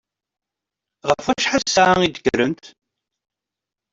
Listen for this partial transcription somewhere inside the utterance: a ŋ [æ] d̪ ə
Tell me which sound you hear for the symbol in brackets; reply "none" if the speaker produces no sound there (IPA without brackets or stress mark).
i